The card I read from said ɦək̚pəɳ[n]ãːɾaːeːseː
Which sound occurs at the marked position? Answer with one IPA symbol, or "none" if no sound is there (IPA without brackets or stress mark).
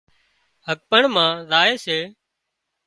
m